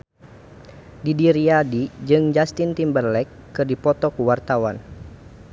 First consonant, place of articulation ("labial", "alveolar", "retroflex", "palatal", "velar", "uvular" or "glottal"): alveolar